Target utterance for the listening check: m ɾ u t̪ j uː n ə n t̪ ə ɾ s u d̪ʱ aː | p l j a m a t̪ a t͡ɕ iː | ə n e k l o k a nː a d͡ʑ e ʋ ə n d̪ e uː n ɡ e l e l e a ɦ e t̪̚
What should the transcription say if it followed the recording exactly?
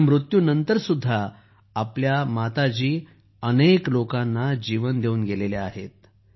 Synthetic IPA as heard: m ɾ u t̪ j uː n ə n t̪ ə ɾ s u d̪ʱː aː | p l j a m a t̪ a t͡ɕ iː | ə n e k l o k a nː a d͡ʑ i ʋ ə n d̪ e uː n ɡ e l e l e a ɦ e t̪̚